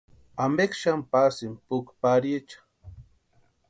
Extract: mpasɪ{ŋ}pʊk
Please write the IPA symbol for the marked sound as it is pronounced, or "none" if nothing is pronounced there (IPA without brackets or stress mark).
m